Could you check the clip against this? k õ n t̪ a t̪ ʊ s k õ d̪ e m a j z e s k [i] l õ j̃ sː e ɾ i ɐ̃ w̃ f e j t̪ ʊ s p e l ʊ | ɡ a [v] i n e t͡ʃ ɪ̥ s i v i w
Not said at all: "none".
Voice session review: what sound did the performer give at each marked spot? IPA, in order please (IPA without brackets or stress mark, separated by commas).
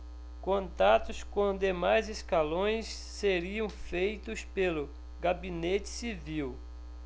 a, b